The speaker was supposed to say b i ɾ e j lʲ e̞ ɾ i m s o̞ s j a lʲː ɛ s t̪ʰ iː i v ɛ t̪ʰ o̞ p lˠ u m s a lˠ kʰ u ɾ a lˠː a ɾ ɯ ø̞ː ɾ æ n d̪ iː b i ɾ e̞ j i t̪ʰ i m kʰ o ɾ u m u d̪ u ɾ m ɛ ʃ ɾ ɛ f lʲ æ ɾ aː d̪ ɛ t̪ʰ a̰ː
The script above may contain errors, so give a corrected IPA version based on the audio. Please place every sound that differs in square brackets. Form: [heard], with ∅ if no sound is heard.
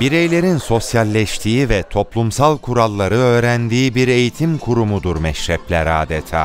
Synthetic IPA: b i ɾ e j lʲ e̞ ɾ i [n] s o̞ s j a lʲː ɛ [ʃ] t̪ʰ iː i v ɛ t̪ʰ o̞ p lˠ u m s a lˠ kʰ u ɾ a lˠː a ɾ ɯ ø̞ː ɾ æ n d̪ iː b i ɾ e̞ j i t̪ʰ i m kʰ [u] ɾ u m u d̪ u ɾ m ɛ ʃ ɾ ɛ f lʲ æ ɾ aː d̪ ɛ t̪ʰ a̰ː